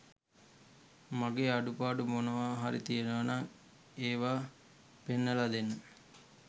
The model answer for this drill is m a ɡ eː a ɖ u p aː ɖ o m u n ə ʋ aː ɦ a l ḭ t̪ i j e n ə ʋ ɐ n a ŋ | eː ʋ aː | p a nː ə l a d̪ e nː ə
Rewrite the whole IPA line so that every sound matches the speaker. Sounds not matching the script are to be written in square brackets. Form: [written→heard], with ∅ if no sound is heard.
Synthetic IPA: m a ɡ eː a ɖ u p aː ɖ [o→u] m [u→o] n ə ʋ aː ɦ a [l→ɾ] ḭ t̪ i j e n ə ʋ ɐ n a ŋ | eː ʋ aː | p [a→e] nː ə l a d̪ e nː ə